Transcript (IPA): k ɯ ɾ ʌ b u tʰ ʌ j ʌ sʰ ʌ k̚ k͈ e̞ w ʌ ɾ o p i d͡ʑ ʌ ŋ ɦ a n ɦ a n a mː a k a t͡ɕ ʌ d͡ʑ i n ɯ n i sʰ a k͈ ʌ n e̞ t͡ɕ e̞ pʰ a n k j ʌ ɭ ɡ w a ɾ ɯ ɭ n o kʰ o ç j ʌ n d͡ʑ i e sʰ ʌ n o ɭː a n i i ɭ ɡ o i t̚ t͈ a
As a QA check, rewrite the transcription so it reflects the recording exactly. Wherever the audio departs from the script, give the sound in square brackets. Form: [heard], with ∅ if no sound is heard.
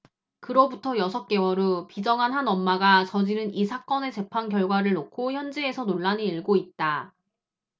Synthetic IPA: k ɯ ɾ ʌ b u tʰ ʌ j ʌ sʰ ʌ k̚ k͈ e̞ w ʌ ɾ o p i d͡ʑ ʌ ŋ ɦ a n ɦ a n [ʌ] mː a [ɡ] a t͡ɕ ʌ d͡ʑ i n ɯ n i sʰ a k͈ ʌ n e̞ t͡ɕ e̞ pʰ a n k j ʌ ɭ ɡ w a ɾ ɯ ɭ n o kʰ o ç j ʌ n d͡ʑ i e sʰ ʌ n o ɭː a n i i ɭ ɡ o i t̚ t͈ a